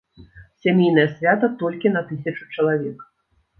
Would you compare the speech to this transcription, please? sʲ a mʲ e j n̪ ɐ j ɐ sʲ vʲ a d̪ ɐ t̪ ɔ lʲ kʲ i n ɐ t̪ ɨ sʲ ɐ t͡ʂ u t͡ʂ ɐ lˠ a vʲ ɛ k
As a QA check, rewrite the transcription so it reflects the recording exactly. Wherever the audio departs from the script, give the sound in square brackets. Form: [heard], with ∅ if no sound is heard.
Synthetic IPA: sʲ a mʲ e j n̪ ɐ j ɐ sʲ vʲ a [t̪] ɐ t̪ ɔ lʲ kʲ i n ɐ t̪ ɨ sʲ ɐ t͡ʂ u t͡ʂ ɐ lˠ a vʲ ɛ k